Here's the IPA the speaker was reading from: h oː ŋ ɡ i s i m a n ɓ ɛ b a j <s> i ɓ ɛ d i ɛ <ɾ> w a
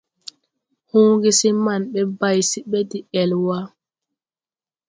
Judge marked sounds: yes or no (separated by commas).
yes, no